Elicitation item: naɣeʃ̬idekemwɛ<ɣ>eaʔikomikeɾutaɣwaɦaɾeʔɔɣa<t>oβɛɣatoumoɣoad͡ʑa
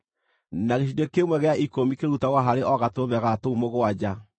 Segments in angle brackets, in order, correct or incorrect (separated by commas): correct, correct